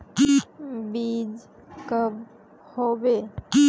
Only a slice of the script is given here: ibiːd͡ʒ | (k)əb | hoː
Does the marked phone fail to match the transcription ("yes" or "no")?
no